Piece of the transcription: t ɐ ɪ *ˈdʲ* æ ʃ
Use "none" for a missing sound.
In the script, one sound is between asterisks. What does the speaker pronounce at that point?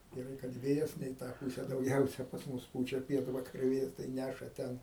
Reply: nʲ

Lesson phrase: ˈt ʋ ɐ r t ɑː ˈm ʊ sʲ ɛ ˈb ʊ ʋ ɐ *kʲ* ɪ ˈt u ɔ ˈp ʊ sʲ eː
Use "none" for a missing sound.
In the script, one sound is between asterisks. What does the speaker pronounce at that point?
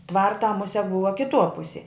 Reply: kʲ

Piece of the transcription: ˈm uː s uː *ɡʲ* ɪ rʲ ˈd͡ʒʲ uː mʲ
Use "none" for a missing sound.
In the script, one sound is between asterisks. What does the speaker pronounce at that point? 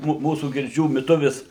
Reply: ɡʲ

